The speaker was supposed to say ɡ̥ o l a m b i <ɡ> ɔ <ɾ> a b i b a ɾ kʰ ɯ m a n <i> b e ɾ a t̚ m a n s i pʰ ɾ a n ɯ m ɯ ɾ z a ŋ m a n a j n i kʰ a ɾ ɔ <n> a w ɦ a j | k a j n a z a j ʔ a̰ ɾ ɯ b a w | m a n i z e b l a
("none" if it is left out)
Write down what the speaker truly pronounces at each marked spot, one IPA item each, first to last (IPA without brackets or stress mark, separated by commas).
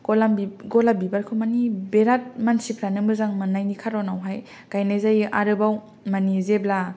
ɡ, l, i, n